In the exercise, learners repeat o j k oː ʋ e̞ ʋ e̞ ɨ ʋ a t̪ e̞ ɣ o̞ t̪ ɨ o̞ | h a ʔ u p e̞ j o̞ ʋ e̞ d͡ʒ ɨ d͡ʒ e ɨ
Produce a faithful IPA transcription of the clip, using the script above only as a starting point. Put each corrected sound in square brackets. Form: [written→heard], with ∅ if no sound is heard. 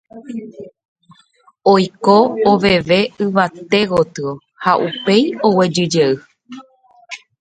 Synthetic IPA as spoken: o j k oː ʋ e̞ ʋ e̞ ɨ ʋ a t̪ e̞ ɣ o̞ t̪ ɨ o̞ | h a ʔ u p e̞ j o̞ [ʋ→w] e̞ d͡ʒ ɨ d͡ʒ e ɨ

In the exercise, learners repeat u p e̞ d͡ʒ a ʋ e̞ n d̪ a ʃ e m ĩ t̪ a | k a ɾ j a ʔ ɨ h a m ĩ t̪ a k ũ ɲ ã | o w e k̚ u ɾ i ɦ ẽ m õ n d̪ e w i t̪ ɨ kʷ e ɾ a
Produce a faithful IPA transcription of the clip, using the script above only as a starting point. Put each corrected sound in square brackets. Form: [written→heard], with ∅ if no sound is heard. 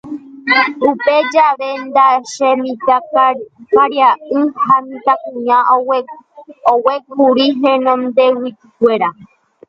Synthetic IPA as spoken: u p e̞ d͡ʒ a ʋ e̞ n d̪ a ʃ e m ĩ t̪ a | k a ɾ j a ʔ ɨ h a m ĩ t̪ a k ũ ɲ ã | o w e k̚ u ɾ i ɦ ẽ [m→n] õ n d̪ e w i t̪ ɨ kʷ e ɾ a

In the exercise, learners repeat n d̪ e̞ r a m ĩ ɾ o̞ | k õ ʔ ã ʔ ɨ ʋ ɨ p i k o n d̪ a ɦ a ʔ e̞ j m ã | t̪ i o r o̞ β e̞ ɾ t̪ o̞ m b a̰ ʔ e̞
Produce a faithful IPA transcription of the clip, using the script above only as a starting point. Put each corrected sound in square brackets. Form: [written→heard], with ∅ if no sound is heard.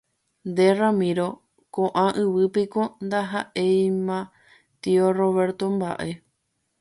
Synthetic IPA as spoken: n d̪ e̞ r a m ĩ ɾ o̞ | k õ ʔ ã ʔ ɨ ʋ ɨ p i k o n d̪ a ɦ a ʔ e̞ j m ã | t̪ i o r o̞ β e̞ ɾ t̪ o̞ m b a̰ ʔ e̞

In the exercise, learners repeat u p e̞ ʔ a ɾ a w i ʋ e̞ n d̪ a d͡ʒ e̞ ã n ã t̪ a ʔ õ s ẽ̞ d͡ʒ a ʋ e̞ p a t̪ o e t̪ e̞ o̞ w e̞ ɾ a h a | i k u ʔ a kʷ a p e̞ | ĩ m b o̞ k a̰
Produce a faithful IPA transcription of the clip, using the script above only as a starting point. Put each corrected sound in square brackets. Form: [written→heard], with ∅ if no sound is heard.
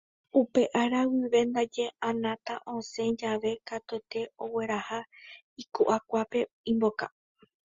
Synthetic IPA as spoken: u p e̞ ʔ a ɾ a w i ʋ e̞ n d̪ a d͡ʒ e̞ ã n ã t̪ a ʔ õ s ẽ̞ d͡ʒ a ʋ e̞ [p→k] a t̪ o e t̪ e̞ o̞ w e̞ ɾ a h a | i k u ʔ a kʷ a p e̞ | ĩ m b o̞ k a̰

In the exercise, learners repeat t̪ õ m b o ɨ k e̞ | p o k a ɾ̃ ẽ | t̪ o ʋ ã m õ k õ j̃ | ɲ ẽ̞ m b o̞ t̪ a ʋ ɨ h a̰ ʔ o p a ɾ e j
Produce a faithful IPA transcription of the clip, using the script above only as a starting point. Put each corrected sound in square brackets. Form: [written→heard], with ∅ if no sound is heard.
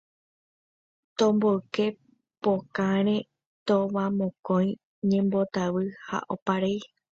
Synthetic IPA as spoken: t̪ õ m b o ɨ k e̞ | p o k a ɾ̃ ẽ | t̪ o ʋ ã m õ k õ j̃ | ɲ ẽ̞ m b o̞ t̪ a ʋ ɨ h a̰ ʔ o p a ɾ e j

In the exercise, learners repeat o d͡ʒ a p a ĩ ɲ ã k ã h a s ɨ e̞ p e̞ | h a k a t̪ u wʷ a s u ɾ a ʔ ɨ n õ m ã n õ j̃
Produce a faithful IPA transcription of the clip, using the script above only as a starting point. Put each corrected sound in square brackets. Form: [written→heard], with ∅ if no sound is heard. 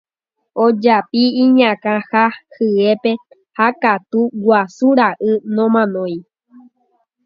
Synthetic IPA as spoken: o d͡ʒ a p [a→i] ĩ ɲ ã k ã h a [s→h] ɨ e̞ p e̞ | h a k a t̪ u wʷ a s u ɾ a ʔ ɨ n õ m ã n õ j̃

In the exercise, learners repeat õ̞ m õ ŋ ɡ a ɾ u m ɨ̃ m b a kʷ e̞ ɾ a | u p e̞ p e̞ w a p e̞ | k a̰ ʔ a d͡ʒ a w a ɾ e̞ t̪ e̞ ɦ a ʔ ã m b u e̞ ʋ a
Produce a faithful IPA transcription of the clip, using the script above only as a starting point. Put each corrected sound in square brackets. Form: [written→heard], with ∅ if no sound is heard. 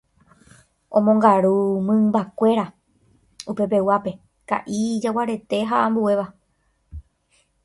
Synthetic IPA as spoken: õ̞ m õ ŋ ɡ a ɾ u m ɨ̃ m b a kʷ e̞ ɾ a | u p e̞ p e̞ w a p e̞ | k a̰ ʔ [a→i] d͡ʒ a w a ɾ e̞ t̪ e̞ ɦ a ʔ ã m b u e̞ ʋ a

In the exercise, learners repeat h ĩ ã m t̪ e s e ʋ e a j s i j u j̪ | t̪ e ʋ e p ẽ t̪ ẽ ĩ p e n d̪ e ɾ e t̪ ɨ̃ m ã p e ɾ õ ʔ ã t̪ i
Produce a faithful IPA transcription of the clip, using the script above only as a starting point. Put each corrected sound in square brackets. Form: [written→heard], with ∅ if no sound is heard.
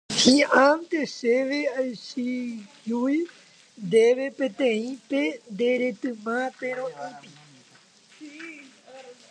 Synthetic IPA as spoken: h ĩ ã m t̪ e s e ʋ e a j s i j u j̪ | [t̪→d̪] e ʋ e p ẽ t̪ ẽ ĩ p e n d̪ e ɾ e t̪ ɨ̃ m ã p e ɾ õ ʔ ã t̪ i

